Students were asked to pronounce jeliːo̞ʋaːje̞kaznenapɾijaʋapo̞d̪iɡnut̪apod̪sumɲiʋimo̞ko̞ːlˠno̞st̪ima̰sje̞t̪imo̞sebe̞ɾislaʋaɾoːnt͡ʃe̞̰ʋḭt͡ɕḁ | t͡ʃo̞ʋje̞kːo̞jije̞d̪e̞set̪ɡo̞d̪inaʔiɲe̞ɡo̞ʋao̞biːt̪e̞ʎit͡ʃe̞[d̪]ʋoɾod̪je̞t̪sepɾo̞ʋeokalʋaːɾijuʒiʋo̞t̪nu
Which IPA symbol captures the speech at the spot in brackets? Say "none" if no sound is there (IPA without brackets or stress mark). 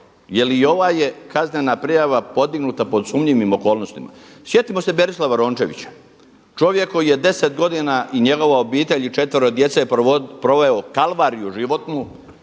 t̪